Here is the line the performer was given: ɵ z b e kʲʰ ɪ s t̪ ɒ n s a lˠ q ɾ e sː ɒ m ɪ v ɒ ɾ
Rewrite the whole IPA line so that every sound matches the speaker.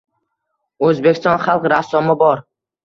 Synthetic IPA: ɵ z b e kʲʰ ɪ s t̪ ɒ n χ a lˠ q ɾ a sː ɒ m ɪ b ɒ ɾ